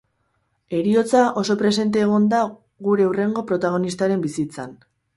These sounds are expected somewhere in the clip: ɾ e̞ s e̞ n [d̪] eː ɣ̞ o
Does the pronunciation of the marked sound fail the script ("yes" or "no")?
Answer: yes